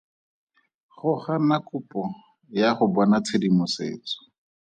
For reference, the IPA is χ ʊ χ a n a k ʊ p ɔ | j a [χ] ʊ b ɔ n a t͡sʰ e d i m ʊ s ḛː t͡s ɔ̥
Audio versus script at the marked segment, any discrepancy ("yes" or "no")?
no